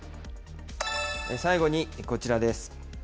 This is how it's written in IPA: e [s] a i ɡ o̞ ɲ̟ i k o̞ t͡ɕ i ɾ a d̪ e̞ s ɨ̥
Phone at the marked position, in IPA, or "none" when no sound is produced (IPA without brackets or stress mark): s